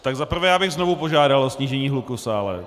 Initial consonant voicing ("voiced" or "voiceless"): voiceless